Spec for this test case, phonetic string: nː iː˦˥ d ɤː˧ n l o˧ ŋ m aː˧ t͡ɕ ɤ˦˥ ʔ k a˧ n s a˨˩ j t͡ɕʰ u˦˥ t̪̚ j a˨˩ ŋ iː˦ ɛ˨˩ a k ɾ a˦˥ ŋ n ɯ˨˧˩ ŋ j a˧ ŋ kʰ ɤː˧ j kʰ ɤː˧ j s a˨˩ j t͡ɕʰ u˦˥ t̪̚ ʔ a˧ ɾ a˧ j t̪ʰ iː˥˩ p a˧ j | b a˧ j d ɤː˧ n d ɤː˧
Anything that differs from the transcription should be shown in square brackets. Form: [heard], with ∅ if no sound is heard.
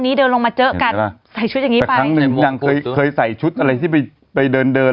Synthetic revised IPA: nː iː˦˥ d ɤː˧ n l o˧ ŋ m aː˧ t͡ɕ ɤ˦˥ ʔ k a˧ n s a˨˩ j t͡ɕʰ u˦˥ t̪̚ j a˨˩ ŋ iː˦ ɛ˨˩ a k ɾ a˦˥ ŋ n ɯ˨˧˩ ŋ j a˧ ŋ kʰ ɤː˧ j kʰ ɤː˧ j s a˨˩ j t͡ɕʰ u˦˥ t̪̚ ʔ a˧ ɾ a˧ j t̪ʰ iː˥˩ p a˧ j | [p] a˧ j d ɤː˧ n d ɤː˧